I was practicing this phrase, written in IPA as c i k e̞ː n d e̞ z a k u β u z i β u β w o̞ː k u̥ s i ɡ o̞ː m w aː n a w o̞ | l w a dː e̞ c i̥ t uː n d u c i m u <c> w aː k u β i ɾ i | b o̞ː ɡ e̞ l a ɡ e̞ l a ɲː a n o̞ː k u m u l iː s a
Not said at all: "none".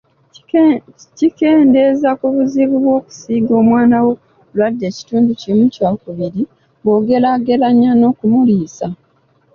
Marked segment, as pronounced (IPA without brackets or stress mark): c